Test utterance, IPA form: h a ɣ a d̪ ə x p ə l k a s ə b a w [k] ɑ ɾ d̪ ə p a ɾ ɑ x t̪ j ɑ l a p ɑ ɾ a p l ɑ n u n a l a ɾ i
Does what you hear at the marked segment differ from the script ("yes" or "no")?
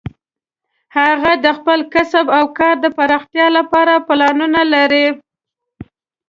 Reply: no